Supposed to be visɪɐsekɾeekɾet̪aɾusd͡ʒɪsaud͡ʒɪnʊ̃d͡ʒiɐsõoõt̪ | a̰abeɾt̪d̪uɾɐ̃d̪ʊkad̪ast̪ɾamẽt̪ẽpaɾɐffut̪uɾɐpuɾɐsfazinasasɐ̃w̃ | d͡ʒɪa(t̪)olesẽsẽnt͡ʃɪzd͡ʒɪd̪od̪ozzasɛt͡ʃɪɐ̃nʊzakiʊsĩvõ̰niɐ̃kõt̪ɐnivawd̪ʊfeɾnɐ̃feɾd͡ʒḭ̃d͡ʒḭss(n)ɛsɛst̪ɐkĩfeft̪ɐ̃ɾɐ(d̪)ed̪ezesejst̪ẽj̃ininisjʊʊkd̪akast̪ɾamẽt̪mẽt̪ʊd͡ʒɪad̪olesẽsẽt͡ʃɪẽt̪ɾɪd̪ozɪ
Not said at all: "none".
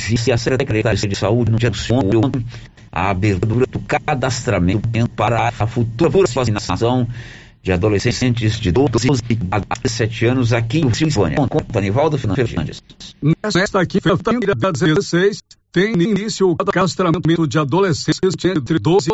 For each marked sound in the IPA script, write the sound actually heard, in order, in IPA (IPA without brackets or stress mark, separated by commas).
d̪, n, d̪